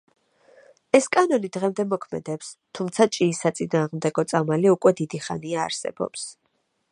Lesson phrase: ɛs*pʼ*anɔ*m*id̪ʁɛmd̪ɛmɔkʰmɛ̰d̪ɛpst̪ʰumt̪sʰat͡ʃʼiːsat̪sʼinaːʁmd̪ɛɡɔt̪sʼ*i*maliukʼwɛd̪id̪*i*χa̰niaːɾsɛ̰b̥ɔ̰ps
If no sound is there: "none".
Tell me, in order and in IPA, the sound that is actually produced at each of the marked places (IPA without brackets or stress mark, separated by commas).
kʼ, n, a, i